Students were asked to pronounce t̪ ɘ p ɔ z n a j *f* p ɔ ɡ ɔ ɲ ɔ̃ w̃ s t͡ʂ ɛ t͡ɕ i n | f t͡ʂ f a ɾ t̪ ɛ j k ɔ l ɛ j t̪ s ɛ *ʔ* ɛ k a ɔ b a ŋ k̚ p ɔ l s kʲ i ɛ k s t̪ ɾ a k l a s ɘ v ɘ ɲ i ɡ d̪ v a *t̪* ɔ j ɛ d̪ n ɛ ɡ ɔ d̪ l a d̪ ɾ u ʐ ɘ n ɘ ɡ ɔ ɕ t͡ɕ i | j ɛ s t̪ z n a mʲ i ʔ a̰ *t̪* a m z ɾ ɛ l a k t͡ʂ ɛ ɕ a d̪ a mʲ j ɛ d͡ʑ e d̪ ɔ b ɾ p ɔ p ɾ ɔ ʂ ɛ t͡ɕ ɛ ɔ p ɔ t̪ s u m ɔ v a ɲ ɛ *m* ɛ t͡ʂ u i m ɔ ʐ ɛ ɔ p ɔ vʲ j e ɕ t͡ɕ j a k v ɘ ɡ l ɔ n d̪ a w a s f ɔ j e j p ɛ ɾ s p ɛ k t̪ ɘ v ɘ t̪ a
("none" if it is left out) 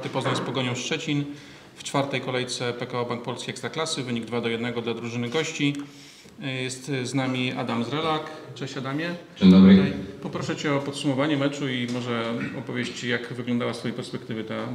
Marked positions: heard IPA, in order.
s, p, d̪, d̪, m

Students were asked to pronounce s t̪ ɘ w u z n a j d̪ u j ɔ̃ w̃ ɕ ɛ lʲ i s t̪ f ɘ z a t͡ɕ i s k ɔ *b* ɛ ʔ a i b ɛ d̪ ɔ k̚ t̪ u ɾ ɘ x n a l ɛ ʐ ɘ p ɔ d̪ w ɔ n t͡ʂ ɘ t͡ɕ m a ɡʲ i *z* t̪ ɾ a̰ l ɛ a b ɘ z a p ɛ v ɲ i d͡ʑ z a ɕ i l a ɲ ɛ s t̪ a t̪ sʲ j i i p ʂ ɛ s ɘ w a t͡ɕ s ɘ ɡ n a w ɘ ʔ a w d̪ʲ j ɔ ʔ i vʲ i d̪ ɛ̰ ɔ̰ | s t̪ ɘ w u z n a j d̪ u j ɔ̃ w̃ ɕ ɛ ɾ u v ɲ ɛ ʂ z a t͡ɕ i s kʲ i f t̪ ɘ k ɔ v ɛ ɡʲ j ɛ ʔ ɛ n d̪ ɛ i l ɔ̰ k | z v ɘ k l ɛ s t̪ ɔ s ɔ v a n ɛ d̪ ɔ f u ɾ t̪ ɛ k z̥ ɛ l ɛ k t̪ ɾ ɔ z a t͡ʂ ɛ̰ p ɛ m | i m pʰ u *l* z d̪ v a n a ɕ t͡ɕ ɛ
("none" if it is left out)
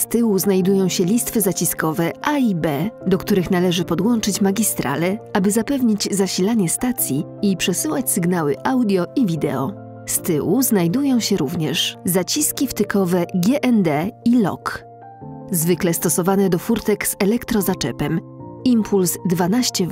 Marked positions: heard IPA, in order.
v, s, l

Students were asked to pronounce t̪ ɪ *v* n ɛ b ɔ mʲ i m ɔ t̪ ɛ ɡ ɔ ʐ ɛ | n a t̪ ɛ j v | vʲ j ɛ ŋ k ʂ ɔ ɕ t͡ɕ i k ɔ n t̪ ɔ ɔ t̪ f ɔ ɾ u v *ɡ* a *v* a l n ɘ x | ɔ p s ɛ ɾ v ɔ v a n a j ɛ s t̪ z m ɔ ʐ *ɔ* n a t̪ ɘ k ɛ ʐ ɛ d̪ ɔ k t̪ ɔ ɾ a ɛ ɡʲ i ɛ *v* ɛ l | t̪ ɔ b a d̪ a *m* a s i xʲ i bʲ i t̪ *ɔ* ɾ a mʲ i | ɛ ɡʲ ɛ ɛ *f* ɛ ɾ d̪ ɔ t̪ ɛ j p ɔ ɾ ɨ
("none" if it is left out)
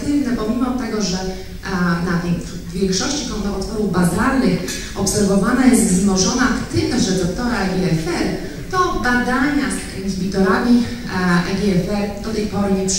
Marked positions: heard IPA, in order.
v, b, z, ɔ, f, ɲ, ɔ, f

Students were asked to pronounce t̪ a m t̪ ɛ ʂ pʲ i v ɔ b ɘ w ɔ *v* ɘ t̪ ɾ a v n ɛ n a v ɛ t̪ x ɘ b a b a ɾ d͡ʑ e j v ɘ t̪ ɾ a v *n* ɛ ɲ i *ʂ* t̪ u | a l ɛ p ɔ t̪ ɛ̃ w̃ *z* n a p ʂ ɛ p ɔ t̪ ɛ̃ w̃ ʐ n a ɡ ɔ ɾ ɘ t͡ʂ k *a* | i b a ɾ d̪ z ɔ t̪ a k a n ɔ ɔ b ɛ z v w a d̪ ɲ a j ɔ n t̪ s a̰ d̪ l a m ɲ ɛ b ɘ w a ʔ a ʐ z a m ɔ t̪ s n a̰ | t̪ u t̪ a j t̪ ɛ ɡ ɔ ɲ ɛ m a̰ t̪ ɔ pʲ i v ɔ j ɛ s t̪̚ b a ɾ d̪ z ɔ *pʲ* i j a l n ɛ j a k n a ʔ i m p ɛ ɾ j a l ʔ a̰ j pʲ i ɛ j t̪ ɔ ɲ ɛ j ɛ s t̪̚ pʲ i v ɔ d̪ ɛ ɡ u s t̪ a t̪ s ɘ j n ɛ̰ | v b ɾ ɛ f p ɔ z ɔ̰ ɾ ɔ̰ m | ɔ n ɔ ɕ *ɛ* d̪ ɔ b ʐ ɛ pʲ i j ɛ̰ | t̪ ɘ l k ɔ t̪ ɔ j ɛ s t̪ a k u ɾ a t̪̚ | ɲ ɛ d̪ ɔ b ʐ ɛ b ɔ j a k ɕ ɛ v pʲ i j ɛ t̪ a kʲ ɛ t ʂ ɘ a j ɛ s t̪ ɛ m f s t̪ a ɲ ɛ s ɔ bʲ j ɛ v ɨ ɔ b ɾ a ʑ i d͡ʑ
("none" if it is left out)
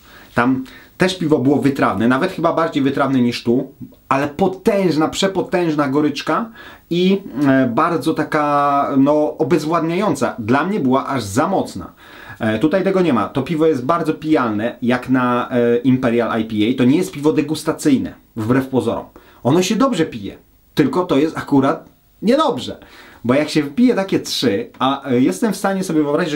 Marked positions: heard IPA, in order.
v, n, ʂ, ʐ, a, pʲ, ɛ

